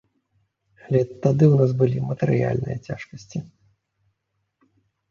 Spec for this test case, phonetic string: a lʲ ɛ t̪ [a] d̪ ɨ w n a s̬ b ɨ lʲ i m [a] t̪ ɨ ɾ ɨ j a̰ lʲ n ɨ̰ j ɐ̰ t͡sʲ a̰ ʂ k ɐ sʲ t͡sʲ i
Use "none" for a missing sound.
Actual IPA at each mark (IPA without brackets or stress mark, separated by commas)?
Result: a, ɐ